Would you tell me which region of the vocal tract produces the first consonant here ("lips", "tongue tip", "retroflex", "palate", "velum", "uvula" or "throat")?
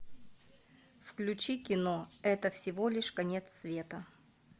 lips